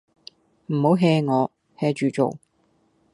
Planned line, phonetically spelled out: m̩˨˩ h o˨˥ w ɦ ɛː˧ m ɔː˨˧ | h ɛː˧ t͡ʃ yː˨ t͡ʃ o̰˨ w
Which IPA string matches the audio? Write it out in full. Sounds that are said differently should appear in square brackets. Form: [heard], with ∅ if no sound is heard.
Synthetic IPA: m̩˨˩ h o˨˥ w ɦ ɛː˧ [ŋ] ɔː˨˧ | h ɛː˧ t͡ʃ yː˨ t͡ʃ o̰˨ w